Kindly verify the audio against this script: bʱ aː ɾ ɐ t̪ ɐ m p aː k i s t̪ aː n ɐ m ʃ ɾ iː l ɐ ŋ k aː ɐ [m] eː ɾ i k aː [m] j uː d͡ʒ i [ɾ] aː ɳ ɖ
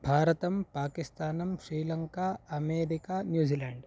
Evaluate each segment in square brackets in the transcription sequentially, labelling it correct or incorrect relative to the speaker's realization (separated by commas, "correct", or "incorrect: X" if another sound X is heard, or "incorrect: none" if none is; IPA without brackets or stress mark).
correct, incorrect: n, incorrect: l